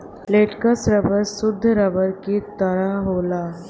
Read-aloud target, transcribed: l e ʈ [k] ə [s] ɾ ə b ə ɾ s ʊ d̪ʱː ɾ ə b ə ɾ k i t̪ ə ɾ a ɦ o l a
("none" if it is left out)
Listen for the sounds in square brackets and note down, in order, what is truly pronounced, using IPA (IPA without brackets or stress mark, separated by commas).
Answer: k, s